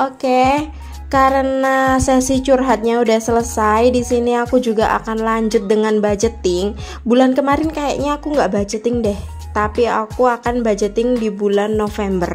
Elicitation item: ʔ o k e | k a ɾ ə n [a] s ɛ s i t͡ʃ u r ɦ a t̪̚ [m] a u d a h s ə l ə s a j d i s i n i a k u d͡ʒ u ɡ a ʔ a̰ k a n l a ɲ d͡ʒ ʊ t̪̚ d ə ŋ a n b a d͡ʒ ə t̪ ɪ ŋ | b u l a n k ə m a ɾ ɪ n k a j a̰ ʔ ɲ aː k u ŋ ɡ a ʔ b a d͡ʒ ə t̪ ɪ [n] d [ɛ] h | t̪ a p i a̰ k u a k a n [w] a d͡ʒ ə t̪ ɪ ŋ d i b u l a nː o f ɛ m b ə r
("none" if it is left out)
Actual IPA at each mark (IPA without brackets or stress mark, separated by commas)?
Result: a, ɲ, ŋ, ɛ, b